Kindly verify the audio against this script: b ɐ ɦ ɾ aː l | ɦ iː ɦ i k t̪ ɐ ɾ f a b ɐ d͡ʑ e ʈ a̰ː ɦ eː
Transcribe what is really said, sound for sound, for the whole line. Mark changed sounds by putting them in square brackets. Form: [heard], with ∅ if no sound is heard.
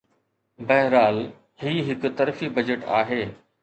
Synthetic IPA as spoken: b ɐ ɦ ɾ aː l | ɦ iː ɦ [ɪ] k t̪ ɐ ɾ f [i] b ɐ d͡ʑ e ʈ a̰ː ɦ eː